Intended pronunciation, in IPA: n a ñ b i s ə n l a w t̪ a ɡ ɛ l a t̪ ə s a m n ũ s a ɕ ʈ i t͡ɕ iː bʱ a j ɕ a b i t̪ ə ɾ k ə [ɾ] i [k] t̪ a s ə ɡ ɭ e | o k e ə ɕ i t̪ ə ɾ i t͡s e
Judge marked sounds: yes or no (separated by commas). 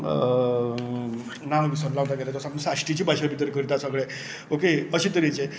yes, no